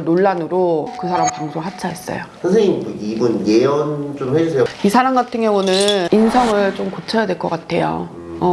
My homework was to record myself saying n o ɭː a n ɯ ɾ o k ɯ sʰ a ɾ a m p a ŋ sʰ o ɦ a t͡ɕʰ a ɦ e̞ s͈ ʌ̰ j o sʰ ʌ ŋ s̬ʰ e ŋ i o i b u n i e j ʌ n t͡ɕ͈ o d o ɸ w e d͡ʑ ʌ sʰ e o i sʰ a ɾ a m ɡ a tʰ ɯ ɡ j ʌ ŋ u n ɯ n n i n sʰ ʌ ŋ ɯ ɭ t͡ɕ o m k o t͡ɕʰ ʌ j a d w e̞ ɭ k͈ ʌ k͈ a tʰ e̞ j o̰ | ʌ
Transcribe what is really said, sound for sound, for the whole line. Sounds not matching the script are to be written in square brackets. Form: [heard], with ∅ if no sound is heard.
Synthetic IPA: n o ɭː a n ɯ ɾ o k ɯ sʰ a ɾ a m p a ŋ sʰ o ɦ a t͡ɕʰ a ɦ e̞ s͈ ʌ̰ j o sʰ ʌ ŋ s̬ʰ e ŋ i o i b u n [j] e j ʌ n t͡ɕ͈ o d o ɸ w e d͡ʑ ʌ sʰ e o i sʰ a ɾ a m ɡ a tʰ ɯ [ŋ] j ʌ ŋ u n ɯ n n i n sʰ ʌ ŋ ɯ ɭ t͡ɕ o m k o t͡ɕʰ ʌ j a d w e̞ ɭ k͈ ʌ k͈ a tʰ e̞ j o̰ | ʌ